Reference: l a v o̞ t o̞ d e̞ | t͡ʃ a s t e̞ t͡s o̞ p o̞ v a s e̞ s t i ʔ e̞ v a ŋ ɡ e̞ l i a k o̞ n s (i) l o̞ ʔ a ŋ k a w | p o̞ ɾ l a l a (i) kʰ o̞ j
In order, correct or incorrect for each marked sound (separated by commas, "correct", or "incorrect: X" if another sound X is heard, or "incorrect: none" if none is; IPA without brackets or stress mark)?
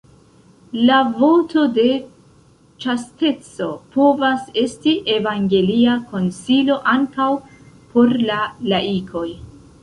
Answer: correct, correct